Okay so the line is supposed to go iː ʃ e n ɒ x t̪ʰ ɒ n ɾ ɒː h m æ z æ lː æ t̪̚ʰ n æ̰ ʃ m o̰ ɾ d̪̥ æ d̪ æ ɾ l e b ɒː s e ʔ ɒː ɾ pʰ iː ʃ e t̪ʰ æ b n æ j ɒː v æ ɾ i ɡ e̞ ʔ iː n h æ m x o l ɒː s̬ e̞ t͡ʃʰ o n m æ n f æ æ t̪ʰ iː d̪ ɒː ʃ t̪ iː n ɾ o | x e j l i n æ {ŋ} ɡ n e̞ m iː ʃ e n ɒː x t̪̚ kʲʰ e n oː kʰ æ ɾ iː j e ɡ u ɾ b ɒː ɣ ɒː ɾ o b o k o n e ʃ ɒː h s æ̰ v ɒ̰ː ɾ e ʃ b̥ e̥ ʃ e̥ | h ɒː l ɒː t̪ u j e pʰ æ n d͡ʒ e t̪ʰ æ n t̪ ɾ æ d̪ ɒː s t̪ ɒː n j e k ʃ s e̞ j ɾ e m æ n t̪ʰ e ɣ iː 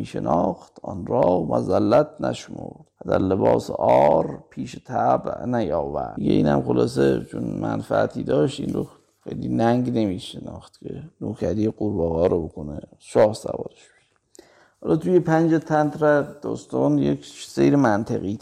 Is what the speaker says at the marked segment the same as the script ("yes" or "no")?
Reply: yes